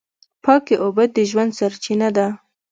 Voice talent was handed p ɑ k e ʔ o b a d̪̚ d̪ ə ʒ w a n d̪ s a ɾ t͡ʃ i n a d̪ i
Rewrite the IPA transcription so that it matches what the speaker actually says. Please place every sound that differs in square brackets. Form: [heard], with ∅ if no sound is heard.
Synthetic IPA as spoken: p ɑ k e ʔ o b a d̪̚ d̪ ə ʒ w a n d̪ s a ɾ t͡ʃ i n a d̪ [a]